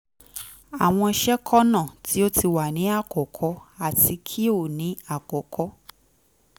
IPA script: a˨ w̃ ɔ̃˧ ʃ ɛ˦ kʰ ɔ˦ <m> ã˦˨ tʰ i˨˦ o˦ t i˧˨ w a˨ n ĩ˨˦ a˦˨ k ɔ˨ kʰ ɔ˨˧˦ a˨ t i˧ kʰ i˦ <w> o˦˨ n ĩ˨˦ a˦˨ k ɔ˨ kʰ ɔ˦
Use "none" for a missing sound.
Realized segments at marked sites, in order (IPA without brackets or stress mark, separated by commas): n, none